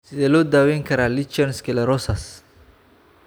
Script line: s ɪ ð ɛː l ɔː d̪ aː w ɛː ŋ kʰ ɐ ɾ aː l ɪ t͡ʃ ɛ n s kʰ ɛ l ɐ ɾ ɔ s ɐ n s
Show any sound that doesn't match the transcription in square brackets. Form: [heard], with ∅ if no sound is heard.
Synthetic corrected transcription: s ɪ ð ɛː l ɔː d̪ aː w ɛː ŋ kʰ ɐ ɾ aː l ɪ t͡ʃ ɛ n s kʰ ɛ l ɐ ɾ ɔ s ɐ [∅] s